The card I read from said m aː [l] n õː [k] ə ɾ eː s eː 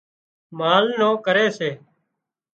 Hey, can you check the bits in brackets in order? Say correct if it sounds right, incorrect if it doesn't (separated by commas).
correct, correct